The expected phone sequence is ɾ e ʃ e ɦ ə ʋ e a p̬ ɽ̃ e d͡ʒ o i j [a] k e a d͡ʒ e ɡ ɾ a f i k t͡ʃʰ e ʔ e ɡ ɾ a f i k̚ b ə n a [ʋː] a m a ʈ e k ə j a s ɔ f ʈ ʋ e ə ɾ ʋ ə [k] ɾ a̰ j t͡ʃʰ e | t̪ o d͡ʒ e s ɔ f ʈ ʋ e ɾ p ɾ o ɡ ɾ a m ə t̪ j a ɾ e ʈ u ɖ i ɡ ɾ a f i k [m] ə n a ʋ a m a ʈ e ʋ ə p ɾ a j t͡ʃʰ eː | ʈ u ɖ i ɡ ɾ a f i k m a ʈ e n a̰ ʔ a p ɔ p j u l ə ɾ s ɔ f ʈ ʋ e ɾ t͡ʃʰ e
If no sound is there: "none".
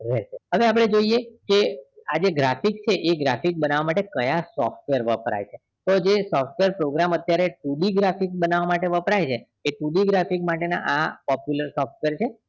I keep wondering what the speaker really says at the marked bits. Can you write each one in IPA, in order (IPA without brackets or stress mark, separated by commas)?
e, ʋ, p, b